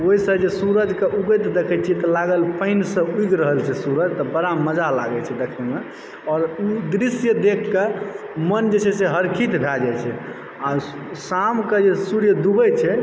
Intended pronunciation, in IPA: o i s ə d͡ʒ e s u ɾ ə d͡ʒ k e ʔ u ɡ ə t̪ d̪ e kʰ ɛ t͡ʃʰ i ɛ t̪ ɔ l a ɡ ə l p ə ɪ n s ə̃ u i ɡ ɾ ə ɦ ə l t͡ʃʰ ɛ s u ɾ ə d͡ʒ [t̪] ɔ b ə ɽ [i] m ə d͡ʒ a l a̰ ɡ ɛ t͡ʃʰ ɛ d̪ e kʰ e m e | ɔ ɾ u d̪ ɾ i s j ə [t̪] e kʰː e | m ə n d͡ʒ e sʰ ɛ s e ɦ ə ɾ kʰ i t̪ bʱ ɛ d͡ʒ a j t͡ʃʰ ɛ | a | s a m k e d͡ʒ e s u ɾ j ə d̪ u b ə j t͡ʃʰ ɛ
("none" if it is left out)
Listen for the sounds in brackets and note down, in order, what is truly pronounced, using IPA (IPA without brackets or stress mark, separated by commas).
t̪, a, d̪